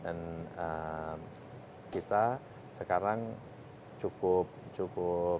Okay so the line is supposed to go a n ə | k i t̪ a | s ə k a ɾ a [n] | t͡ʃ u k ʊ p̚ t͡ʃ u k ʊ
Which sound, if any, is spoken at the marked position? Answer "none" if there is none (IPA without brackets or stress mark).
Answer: ŋ